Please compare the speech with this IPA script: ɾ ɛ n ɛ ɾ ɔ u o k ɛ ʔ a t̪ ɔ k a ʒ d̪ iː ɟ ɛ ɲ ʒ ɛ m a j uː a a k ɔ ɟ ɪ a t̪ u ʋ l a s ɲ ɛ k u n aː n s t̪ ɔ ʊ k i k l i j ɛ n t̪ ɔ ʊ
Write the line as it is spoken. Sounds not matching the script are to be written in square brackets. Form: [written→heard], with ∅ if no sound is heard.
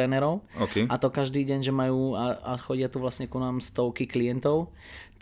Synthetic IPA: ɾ ɛ n ɛ ɾ ɔ [u→ʊ] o k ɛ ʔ a t̪ ɔ k a ʒ d̪ iː ɟ ɛ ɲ ʒ ɛ m a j uː a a [k→x] ɔ ɟ ɪ a t̪ u ʋ l a s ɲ ɛ k u n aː [n→m] s t̪ ɔ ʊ k i k l i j ɛ n t̪ ɔ ʊ